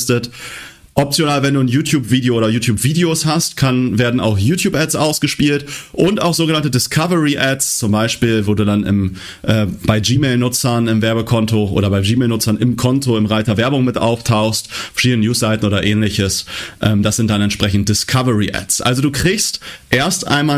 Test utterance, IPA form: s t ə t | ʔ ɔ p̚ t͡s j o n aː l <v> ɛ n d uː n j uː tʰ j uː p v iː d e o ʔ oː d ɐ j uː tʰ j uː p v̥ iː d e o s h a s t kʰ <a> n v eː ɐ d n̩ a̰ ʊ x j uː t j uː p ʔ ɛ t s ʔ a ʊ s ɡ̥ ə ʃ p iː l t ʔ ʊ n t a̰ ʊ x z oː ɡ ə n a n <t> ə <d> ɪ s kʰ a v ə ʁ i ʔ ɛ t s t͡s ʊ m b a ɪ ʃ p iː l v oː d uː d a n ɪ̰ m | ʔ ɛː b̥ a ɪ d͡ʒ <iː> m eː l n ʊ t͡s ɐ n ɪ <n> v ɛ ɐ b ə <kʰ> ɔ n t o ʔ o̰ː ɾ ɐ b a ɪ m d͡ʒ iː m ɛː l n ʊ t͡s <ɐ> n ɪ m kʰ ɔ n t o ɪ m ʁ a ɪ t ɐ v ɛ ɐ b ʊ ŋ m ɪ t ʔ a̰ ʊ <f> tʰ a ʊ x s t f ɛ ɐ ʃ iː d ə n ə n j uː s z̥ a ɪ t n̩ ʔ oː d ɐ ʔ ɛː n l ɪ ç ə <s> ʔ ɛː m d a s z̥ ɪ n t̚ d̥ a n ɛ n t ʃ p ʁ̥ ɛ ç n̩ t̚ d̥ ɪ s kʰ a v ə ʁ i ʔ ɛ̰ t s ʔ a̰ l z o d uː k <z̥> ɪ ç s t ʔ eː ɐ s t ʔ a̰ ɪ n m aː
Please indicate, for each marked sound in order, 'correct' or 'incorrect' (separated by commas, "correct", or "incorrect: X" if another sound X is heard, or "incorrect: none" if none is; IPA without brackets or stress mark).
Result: correct, correct, correct, correct, correct, incorrect: m, correct, correct, correct, correct, incorrect: ʁ̥